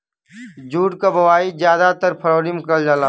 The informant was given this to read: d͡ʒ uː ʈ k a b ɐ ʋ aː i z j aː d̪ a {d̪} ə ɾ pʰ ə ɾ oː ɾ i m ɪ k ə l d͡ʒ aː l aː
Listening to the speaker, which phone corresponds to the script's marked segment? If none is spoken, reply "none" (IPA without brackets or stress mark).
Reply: t̪